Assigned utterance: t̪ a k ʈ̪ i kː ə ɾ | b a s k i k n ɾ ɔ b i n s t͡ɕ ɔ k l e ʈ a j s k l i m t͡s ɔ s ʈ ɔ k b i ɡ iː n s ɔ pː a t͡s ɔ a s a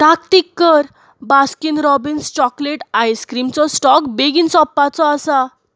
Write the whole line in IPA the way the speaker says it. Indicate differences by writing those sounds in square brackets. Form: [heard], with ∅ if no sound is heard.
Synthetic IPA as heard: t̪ a k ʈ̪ i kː ə ɾ | b a s k i [∅] n ɾ ɔ b i n s t͡ɕ ɔ k l e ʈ a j s k [ɾ] i m t͡s ɔ s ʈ ɔ k b [e] ɡ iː n s ɔ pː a t͡s ɔ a s a